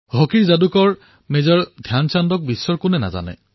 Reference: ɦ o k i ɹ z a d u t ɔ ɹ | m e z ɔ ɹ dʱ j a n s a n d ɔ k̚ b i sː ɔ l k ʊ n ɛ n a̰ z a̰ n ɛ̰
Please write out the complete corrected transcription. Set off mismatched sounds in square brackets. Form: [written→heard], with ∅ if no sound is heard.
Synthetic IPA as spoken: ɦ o k i ɹ z a d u [t→k] ɔ ɹ | m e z ɔ ɹ dʱ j a n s a n d ɔ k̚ b i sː ɔ [l→ɹ] k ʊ n ɛ n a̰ z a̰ n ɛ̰